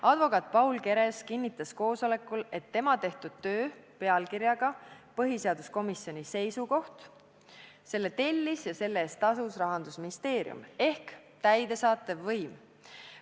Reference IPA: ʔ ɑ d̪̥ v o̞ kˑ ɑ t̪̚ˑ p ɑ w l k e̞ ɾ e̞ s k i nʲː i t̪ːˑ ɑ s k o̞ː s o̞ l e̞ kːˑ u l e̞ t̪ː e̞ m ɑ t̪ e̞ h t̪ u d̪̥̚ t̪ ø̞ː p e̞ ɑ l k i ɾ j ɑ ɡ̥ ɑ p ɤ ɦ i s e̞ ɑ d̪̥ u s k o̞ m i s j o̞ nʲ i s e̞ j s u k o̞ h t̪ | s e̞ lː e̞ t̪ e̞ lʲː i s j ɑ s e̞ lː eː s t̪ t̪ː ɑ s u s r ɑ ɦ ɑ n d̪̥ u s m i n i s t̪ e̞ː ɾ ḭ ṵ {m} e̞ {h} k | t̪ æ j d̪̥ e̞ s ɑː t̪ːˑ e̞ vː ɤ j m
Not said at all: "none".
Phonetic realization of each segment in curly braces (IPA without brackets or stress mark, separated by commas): m, h